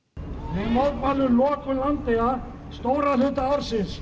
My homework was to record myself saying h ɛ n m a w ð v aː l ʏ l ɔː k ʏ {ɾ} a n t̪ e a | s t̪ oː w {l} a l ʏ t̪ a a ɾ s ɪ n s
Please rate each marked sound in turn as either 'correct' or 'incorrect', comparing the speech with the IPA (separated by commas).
incorrect, incorrect